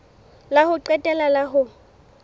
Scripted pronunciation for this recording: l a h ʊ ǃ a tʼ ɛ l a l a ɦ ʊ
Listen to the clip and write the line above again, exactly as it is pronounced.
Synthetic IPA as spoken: l a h ʊ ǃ ɛ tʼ ɛ l a l a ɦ ʊ